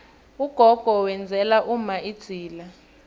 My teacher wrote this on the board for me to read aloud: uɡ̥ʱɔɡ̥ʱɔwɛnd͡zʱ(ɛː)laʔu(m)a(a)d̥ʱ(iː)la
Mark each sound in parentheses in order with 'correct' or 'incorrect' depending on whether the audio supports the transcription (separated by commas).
incorrect, correct, incorrect, correct